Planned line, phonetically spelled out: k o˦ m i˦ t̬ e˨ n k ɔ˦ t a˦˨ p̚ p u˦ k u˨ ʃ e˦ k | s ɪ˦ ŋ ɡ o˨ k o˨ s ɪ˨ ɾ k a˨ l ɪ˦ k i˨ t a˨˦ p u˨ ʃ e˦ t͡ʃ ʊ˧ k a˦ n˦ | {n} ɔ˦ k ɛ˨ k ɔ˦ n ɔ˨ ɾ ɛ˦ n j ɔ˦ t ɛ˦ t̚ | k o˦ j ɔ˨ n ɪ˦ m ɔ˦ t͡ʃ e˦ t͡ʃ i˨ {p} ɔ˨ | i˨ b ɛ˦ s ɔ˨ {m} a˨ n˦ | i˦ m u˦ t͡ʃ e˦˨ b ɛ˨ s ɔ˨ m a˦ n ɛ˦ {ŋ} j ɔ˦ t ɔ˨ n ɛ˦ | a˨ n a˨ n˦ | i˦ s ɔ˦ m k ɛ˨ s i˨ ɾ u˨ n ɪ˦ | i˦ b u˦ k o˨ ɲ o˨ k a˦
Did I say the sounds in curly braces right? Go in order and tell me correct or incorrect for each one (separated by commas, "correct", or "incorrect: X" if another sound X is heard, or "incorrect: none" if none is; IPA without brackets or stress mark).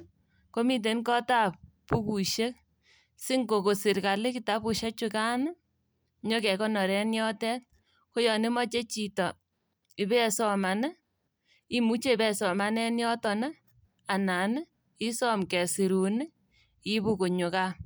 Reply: incorrect: ɲ, incorrect: t, correct, incorrect: n